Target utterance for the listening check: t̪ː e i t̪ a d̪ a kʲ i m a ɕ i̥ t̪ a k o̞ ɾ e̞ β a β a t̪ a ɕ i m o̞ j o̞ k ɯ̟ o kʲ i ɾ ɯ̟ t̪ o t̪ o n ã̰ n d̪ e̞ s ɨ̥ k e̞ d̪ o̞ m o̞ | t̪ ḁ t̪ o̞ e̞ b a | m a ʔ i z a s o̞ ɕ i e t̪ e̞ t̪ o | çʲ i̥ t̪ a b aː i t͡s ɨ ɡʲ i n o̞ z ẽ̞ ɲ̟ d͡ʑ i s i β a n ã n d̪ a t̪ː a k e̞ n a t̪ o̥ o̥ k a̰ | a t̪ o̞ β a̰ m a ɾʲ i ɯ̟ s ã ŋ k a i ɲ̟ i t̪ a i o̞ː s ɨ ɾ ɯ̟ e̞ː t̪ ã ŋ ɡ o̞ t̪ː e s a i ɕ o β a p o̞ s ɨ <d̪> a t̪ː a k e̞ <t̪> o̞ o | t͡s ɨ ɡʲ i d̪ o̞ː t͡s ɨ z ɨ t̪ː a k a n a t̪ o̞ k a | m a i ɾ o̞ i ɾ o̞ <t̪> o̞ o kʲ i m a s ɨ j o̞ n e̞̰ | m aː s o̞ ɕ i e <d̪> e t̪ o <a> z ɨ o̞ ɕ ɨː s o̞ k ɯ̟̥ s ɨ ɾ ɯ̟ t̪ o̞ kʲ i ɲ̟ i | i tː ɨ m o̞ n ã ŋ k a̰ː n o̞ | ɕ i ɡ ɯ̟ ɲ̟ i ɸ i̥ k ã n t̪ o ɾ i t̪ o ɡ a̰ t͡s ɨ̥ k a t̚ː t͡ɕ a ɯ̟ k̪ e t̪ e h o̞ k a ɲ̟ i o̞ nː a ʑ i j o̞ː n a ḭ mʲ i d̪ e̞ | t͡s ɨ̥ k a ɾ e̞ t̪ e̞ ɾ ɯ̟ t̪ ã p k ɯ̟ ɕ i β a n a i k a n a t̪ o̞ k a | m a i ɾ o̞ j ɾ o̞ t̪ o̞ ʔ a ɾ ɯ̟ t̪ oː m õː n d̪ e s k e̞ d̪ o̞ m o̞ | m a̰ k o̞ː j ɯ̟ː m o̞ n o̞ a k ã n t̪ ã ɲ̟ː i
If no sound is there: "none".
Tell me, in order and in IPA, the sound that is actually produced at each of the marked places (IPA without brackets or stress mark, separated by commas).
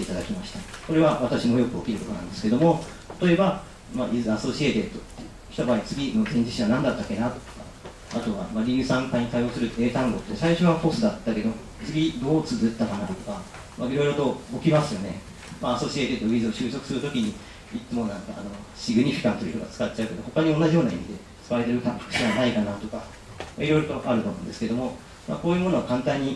d̪, d̪, t̪, t̪, i